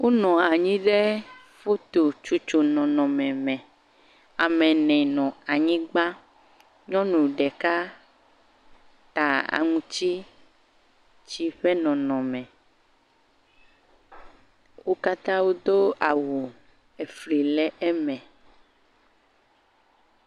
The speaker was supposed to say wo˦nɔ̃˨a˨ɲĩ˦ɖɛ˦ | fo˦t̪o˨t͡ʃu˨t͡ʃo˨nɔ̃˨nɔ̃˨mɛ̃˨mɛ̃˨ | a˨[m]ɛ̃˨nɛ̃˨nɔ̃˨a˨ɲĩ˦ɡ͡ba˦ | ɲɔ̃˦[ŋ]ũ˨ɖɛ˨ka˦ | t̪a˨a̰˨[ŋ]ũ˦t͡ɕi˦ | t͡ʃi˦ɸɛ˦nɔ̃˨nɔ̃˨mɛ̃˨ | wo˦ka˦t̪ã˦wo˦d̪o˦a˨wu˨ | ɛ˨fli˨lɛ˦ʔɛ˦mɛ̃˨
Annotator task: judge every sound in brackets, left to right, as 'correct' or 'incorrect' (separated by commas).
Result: correct, incorrect, correct